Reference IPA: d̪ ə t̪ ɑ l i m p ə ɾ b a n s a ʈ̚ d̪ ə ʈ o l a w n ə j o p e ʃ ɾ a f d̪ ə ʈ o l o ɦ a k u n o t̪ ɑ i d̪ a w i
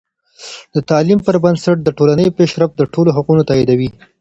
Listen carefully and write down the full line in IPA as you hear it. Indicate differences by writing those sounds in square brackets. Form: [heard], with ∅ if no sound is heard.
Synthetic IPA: d̪ ə t̪ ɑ l i m p ə ɾ b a n s a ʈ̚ d̪ ə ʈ o l a [∅] n ə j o p e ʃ ɾ a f d̪ ə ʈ o l o ɦ a [q] u n o t̪ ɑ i d̪ a w i